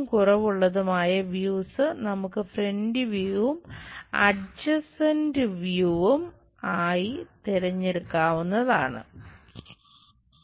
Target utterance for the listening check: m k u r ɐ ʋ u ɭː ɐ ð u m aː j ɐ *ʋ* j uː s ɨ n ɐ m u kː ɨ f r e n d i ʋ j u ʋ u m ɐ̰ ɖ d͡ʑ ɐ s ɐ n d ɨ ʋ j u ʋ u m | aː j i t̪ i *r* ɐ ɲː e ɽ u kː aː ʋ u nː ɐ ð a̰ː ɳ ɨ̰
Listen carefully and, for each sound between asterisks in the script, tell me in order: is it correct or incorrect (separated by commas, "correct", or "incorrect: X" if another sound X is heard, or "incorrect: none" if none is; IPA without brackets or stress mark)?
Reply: correct, incorrect: ɾ